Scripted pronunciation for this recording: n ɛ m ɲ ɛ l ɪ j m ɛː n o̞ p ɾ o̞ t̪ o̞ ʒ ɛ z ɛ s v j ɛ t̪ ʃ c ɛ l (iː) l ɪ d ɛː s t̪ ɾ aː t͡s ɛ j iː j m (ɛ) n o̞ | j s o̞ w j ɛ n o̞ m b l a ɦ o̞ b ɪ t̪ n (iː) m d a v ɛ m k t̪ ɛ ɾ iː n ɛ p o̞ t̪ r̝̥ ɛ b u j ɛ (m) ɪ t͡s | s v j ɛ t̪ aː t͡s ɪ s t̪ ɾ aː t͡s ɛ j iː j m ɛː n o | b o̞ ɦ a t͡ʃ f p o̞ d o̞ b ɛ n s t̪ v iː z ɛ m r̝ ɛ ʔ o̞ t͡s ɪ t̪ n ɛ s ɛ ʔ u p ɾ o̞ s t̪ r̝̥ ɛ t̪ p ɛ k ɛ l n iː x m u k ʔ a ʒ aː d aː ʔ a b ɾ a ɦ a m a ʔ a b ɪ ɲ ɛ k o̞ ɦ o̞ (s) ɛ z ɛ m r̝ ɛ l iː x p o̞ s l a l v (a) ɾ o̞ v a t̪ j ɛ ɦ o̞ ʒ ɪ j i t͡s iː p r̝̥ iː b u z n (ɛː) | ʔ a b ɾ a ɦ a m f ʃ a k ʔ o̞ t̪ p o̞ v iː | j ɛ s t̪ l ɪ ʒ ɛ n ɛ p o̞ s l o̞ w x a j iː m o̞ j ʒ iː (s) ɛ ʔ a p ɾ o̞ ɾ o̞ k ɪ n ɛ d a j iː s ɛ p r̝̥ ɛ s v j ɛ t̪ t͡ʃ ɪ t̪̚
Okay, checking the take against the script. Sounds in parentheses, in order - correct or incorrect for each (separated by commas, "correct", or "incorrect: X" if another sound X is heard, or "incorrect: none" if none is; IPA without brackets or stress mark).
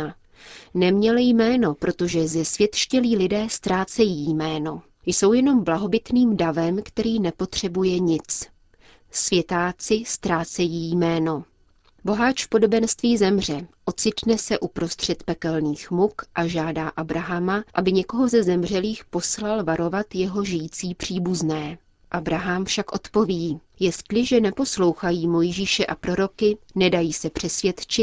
correct, incorrect: ɛː, correct, incorrect: ɲ, incorrect: z, correct, correct, incorrect: ʃ